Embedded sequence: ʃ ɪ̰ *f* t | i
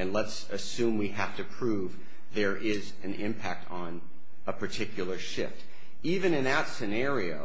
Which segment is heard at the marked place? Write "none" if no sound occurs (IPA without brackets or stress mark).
f